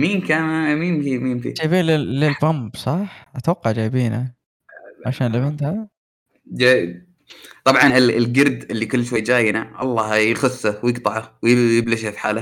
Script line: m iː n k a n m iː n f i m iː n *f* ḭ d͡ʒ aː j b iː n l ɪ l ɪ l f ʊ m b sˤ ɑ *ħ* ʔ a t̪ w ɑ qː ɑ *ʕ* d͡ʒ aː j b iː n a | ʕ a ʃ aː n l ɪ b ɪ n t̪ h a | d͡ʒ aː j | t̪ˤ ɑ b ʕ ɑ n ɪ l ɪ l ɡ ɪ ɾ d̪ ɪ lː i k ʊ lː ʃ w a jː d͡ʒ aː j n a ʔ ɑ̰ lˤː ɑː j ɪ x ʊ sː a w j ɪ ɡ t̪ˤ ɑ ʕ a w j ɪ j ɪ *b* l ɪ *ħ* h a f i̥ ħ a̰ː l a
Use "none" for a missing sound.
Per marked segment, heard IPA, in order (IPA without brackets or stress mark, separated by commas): f, ħ, ʕ, b, ʃ